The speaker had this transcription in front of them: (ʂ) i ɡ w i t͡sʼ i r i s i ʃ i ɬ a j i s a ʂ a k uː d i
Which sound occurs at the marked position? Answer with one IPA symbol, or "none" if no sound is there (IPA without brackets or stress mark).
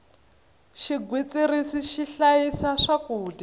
ʃ